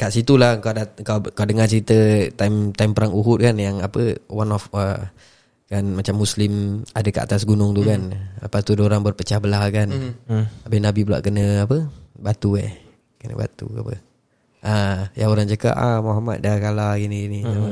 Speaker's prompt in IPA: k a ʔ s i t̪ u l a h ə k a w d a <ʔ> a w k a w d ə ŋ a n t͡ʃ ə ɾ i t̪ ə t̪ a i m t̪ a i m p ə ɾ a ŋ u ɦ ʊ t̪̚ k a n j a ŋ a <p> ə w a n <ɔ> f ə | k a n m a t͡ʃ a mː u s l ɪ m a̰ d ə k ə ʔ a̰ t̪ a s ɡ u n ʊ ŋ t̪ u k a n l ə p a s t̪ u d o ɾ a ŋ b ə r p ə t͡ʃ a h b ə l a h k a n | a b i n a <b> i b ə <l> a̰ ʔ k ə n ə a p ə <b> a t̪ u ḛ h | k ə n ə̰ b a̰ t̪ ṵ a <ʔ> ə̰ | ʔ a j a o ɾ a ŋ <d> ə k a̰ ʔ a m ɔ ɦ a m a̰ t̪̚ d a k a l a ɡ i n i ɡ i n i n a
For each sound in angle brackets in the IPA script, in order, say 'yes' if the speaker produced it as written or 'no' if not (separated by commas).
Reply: no, yes, yes, yes, yes, yes, no, no